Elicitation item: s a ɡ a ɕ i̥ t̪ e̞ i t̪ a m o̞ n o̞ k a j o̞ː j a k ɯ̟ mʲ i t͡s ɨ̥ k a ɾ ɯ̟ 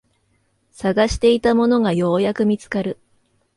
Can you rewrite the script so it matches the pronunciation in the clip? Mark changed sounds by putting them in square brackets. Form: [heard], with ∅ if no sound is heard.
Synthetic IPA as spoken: s a ɡ a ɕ i̥ t̪ e̞ i t̪ a m o̞ n o̞ [ɡ] a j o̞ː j a k ɯ̟ mʲ i t͡s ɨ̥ k a ɾ ɯ̟